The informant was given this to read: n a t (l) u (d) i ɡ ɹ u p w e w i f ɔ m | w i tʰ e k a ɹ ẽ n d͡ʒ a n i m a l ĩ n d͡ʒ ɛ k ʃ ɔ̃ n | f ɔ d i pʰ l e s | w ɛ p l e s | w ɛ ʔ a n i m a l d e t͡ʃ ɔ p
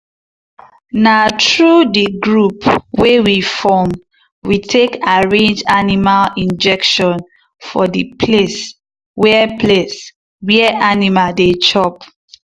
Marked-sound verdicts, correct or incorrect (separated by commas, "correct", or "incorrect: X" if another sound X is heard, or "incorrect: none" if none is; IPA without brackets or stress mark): incorrect: ɹ, correct